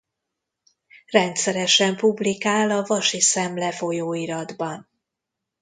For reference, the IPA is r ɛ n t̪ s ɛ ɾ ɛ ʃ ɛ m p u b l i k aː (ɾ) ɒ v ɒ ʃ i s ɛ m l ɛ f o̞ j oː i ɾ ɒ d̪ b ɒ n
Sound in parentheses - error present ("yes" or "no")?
yes